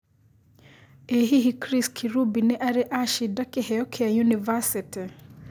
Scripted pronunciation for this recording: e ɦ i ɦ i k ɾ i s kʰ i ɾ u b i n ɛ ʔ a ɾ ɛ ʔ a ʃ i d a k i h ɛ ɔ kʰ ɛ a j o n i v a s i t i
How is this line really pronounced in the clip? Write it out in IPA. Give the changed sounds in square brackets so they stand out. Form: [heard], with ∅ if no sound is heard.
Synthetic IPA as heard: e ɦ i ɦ i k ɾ i s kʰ i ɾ u b i n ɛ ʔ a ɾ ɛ ʔ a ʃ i d a k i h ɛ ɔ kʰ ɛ a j [u] n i v a s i t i